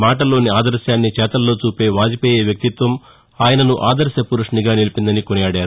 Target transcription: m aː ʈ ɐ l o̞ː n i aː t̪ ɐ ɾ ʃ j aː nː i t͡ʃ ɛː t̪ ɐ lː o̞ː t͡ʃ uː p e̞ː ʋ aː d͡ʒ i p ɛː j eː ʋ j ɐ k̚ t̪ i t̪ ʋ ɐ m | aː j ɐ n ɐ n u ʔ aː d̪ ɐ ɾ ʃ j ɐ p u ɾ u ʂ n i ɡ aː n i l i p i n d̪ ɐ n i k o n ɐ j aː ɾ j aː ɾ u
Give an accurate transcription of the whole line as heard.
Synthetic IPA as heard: m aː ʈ ɐ l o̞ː n i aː d̪ ɐ ɾ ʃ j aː nː i t͡ʃ ɛː t̪ ɐ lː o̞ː t͡ʃ uː p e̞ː ʋ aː d͡ʒ i p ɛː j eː ʋ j ɐ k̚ t̪ i t̪ ʋ ɐ m | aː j ɐ n ɐ n u ʔ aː d̪ ɐ ɾ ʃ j ɐ p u ɾ u ʂ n i ɡ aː n i l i p i n d̪ ɐ n i k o n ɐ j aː ɽ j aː ɾ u